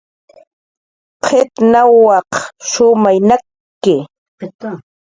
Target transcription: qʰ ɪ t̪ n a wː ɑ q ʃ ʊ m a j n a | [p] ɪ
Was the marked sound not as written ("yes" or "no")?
yes